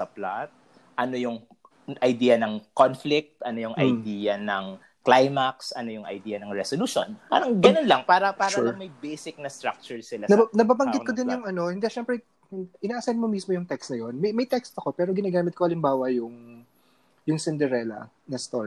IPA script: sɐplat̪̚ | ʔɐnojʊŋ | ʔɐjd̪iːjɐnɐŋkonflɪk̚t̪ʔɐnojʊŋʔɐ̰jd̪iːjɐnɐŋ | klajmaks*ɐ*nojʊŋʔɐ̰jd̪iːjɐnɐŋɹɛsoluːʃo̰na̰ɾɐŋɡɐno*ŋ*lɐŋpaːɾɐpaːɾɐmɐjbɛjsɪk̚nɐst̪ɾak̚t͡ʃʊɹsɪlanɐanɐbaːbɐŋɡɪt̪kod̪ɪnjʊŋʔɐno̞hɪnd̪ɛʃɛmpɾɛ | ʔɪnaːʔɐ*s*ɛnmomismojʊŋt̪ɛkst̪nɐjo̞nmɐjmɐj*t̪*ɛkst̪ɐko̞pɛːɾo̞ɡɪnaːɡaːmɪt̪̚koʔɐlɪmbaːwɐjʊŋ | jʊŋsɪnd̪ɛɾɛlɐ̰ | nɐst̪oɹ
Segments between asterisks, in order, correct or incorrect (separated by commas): correct, incorrect, correct, correct